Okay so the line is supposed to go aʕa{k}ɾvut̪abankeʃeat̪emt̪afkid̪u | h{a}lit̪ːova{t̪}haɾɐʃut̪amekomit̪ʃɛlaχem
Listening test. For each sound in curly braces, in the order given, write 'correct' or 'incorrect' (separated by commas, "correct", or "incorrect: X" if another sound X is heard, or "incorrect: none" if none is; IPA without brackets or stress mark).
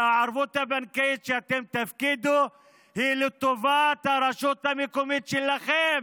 incorrect: none, incorrect: i, correct